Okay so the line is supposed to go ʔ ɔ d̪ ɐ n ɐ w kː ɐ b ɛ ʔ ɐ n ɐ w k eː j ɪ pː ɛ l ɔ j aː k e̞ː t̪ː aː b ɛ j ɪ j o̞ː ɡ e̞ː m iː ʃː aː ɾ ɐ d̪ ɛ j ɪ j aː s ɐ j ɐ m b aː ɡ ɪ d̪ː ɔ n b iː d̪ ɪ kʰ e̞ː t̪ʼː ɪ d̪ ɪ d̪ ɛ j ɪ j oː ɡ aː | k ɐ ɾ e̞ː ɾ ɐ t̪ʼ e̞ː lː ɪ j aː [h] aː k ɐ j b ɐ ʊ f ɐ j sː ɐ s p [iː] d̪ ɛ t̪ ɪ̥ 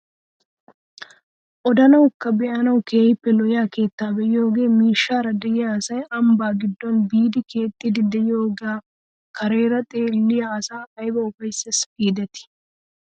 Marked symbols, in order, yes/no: no, yes

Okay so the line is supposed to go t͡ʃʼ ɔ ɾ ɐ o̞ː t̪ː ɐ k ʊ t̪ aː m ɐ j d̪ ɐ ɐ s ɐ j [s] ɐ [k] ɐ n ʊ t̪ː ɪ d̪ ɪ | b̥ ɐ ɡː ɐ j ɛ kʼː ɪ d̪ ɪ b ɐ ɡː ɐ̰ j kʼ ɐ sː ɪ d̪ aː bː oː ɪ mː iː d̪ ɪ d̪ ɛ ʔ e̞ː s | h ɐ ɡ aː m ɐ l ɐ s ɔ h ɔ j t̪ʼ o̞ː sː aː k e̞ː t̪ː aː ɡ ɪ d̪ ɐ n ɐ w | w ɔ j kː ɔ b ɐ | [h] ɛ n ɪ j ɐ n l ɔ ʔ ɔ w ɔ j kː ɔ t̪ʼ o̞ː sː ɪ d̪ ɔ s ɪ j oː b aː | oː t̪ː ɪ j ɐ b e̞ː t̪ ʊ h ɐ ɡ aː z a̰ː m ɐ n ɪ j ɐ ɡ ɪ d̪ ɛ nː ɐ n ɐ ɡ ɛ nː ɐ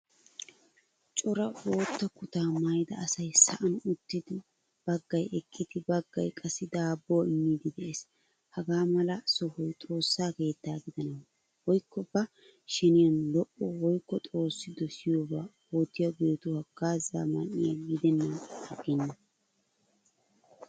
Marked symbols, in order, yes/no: yes, no, no

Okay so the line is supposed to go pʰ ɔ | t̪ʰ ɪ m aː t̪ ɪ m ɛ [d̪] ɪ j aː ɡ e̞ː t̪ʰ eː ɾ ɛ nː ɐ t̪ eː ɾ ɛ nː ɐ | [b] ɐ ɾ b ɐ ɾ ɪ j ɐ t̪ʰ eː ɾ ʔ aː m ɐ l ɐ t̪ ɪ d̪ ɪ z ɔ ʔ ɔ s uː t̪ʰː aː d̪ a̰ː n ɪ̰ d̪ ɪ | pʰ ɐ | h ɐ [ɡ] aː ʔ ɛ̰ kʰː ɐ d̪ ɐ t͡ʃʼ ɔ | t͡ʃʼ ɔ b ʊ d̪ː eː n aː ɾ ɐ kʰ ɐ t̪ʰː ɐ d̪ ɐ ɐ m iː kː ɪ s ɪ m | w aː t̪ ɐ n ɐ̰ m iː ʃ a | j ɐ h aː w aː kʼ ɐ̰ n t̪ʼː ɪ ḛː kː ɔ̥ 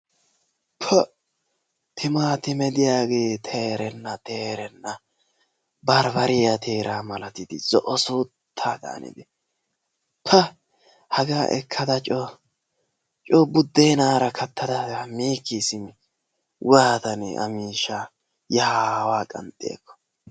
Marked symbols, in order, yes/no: yes, yes, yes

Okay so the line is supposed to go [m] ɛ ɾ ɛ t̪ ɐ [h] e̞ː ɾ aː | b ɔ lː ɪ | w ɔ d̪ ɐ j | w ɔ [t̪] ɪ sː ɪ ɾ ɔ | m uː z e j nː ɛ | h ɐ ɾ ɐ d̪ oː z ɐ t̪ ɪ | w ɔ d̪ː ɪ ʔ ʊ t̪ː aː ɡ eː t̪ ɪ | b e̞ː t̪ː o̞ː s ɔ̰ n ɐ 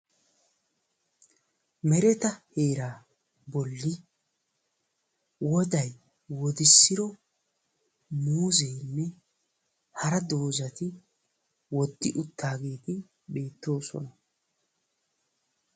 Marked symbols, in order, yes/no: yes, yes, no

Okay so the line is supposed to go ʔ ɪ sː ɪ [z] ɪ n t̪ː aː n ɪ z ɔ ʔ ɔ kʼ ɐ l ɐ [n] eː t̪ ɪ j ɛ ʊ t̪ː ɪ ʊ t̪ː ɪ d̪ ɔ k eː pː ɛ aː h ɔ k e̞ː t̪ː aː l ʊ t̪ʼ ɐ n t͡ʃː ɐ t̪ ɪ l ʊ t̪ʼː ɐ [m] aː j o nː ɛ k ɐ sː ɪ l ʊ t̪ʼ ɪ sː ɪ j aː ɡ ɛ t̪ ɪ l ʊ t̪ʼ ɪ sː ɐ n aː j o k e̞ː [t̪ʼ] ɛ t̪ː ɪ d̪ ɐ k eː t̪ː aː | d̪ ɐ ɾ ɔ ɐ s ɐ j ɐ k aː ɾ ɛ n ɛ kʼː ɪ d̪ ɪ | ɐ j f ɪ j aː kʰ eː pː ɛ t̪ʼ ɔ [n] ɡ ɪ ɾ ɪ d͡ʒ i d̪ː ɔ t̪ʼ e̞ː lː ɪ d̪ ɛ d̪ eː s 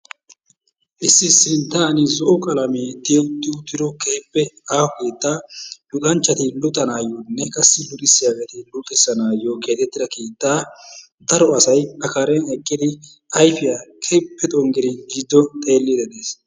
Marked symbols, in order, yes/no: no, no, no, no, no

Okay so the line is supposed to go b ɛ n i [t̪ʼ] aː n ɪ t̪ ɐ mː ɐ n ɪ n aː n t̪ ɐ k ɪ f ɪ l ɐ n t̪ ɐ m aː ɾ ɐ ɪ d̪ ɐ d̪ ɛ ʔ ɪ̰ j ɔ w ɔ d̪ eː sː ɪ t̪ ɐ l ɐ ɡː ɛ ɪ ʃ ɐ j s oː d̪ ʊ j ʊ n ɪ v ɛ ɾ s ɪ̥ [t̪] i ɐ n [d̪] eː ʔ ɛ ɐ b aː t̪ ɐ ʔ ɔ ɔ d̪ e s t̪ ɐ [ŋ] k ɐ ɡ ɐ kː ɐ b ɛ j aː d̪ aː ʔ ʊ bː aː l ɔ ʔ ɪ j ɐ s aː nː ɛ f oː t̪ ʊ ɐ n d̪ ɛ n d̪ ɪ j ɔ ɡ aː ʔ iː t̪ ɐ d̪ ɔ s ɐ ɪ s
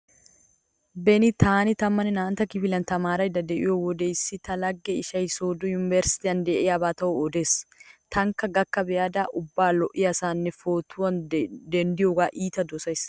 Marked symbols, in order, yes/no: no, yes, yes, yes

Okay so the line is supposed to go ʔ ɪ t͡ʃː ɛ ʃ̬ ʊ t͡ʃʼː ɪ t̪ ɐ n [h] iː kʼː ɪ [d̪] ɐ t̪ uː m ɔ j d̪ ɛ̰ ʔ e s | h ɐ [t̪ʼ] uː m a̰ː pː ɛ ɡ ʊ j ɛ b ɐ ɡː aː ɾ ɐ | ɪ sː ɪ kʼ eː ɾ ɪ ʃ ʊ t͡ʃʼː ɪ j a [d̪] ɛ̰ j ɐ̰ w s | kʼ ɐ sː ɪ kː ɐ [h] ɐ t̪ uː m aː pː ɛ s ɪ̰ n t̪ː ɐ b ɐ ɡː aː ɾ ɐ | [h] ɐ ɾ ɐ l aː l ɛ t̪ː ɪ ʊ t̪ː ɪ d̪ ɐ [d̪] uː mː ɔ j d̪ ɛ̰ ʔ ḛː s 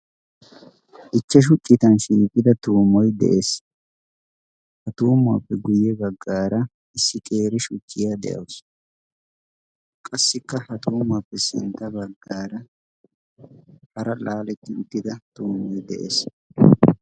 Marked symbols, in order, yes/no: no, yes, no, yes, yes, yes, no

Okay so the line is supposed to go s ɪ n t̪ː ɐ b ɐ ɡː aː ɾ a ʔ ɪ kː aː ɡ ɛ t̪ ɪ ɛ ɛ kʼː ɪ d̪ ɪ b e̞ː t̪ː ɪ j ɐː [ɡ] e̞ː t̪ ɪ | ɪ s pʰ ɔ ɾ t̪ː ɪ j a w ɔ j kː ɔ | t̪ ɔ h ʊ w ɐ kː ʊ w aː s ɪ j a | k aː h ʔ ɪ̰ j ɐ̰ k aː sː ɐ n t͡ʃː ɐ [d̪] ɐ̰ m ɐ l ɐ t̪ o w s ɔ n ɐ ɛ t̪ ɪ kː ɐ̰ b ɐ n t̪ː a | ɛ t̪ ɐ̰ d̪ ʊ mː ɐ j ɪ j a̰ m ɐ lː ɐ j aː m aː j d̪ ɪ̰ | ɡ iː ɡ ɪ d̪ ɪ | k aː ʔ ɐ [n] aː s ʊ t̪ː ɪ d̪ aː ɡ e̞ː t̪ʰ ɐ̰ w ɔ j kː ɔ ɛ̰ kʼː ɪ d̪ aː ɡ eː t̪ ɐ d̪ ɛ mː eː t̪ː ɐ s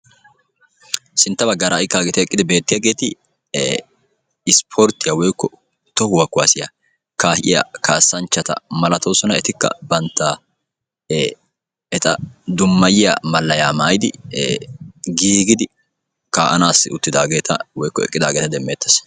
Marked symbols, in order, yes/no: yes, no, yes

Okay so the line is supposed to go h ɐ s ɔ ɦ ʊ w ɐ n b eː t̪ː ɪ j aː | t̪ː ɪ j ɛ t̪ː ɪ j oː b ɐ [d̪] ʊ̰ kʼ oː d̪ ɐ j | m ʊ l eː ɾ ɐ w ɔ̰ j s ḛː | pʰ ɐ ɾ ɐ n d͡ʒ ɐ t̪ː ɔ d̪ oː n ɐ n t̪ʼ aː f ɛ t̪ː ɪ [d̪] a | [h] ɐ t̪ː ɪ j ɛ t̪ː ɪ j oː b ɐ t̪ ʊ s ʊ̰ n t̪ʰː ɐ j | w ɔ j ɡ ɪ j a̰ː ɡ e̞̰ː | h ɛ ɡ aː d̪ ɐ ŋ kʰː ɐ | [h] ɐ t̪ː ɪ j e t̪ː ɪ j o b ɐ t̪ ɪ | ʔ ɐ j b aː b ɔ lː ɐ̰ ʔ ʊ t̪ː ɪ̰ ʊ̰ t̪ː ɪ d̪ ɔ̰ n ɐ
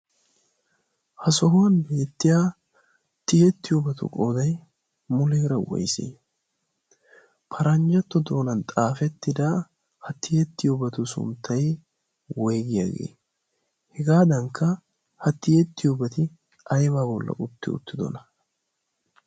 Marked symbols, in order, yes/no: no, yes, yes, yes

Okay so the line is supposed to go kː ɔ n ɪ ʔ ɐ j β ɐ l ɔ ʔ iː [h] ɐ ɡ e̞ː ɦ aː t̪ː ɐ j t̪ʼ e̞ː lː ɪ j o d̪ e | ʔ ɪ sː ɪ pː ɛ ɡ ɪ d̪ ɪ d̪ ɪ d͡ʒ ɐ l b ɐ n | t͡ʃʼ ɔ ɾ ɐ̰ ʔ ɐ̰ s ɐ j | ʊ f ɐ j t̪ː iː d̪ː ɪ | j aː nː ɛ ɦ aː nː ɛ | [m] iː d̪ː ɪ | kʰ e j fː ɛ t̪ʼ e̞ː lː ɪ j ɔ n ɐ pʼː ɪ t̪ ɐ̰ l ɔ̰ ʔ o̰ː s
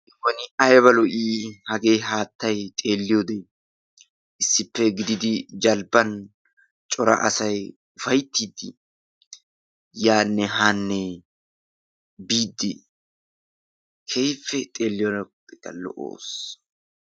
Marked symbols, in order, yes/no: yes, no

